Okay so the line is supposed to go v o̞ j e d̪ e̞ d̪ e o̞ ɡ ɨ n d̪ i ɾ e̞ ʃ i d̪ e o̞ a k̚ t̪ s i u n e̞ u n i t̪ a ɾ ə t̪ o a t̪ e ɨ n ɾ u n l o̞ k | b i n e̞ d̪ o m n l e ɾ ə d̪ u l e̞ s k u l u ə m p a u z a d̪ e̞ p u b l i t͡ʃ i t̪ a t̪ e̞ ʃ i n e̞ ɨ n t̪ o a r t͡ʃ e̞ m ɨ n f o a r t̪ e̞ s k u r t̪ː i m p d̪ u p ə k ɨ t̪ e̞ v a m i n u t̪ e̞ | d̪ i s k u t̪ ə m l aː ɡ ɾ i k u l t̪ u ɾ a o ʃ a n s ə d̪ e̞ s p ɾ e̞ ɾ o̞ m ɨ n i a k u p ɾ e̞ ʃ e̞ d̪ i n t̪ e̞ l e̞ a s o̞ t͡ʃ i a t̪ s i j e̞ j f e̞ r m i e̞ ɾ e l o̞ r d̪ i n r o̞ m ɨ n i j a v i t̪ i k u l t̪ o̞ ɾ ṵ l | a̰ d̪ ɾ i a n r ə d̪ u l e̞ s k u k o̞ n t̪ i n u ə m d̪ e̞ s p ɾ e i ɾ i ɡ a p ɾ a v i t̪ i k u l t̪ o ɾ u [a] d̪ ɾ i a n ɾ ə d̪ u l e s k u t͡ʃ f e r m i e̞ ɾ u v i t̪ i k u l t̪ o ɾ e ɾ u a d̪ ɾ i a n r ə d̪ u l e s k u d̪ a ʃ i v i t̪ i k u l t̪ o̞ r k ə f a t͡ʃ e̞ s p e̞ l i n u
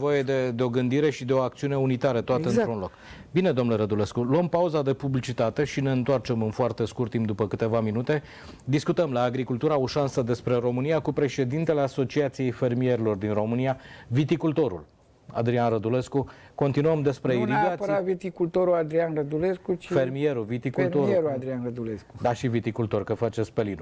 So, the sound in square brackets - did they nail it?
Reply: yes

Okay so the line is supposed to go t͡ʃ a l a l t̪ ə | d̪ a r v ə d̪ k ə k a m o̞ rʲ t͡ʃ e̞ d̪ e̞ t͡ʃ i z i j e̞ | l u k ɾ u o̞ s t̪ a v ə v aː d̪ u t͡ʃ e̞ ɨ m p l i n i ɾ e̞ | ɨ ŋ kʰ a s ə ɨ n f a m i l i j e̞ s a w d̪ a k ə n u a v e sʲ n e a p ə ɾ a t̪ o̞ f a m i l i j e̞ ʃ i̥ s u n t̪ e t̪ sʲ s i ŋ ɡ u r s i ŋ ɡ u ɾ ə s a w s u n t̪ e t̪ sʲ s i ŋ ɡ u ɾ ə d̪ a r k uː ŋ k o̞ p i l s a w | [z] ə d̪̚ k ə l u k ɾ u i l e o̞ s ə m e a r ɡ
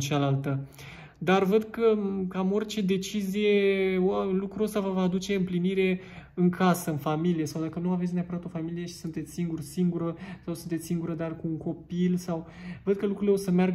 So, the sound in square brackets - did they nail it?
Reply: no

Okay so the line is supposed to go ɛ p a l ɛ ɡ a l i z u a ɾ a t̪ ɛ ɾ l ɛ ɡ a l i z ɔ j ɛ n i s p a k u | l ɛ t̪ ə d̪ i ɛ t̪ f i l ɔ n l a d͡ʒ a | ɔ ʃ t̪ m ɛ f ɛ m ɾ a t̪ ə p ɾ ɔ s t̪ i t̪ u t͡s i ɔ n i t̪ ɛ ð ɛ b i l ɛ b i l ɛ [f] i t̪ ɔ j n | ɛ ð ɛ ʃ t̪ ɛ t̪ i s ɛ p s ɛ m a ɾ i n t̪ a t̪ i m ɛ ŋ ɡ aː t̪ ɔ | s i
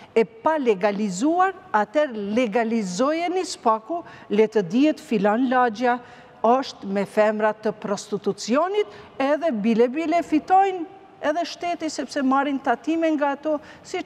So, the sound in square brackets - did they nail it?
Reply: yes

